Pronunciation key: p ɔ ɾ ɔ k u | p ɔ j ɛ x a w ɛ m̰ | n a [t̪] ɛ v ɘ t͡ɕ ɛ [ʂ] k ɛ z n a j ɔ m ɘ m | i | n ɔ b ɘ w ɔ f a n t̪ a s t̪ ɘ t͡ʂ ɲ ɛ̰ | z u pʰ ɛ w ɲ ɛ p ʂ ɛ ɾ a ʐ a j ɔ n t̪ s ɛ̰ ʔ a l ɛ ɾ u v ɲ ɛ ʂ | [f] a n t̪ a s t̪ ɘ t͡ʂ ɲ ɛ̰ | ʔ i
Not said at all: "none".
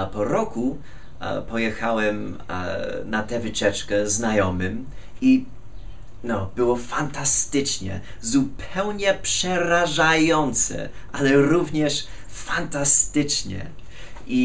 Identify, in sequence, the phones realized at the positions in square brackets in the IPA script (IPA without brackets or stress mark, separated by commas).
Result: t̪, t͡ʂ, f